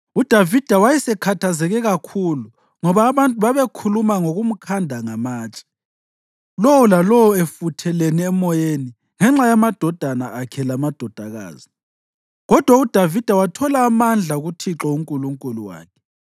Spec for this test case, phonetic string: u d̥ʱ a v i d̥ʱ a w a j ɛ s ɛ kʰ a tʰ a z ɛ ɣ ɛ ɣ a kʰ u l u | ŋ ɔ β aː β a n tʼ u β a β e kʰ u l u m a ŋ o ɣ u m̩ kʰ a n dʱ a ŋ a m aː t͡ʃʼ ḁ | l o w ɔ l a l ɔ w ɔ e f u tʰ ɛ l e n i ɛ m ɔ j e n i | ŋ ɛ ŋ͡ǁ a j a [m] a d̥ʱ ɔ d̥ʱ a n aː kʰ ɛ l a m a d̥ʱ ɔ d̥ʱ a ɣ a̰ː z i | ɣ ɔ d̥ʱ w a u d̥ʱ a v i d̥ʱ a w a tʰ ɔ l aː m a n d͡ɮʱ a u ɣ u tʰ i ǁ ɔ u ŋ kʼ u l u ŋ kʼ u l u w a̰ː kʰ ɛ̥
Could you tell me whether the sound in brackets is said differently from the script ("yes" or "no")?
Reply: no